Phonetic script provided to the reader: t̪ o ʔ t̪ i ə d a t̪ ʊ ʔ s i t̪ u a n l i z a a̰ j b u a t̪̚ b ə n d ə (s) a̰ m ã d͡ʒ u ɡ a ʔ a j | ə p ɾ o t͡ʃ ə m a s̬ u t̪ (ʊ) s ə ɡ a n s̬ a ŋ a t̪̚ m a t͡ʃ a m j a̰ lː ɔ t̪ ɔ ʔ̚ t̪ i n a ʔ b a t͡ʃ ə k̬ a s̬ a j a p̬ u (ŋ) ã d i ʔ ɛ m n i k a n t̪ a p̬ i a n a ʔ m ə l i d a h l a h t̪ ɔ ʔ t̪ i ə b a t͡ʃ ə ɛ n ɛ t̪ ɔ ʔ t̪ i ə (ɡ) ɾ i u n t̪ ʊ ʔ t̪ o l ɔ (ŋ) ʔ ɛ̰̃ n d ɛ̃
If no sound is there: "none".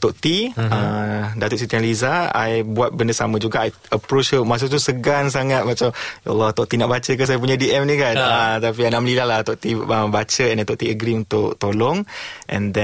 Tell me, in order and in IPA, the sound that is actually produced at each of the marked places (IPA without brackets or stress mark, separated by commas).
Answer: s, u, ɲ, ɡ, ŋ